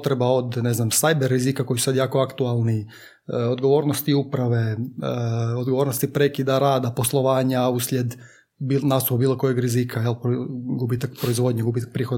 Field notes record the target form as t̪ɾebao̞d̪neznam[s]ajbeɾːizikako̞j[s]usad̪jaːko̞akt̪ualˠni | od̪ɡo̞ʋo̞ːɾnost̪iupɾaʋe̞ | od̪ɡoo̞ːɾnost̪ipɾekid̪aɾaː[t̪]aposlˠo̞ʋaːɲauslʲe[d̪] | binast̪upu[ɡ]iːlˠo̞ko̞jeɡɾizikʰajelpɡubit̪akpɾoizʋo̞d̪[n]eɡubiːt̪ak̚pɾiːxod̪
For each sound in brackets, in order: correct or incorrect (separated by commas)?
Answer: correct, correct, incorrect, correct, incorrect, incorrect